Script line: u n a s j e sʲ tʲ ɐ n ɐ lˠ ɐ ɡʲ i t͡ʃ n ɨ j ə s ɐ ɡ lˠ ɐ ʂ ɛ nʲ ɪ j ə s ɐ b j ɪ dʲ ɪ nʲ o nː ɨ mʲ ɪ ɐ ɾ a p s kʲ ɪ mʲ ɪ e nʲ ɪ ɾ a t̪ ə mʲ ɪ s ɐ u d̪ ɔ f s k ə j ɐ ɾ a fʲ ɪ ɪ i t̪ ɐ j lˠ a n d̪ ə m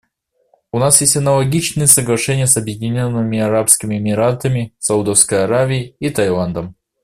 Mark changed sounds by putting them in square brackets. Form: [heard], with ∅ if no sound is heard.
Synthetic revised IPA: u n a s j e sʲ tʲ ɐ n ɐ lˠ ɐ ɡʲ i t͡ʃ n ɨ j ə s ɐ ɡ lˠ ɐ ʂ ɛ nʲ ɪ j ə s ɐ b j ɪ dʲ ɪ nʲ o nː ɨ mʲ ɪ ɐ ɾ a p s kʲ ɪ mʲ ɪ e [mʲ] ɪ ɾ a t̪ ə mʲ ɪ s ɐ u d̪ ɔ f s k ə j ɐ ɾ a [vʲ] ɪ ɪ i t̪ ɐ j lˠ a n d̪ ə m